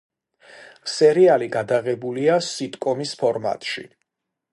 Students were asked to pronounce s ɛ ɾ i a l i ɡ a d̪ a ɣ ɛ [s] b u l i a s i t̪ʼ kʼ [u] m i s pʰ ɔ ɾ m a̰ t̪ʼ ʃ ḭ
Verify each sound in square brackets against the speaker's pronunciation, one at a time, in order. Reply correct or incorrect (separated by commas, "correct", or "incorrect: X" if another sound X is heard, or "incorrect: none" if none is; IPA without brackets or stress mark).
incorrect: none, incorrect: ɔ